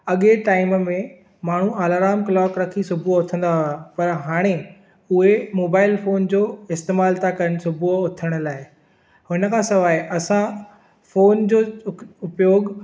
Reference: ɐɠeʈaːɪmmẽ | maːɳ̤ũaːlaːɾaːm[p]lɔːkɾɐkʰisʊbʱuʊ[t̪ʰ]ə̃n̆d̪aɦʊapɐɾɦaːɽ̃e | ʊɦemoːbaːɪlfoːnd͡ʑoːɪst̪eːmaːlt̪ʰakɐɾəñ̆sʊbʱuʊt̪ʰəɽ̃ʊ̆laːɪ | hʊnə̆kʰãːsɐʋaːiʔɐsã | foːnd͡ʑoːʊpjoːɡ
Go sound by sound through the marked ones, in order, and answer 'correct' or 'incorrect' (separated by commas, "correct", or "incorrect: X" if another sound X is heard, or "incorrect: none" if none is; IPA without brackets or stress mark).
incorrect: k, correct